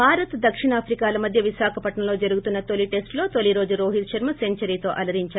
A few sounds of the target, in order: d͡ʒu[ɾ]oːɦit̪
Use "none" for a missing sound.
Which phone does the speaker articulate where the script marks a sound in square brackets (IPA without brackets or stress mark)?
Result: ɾ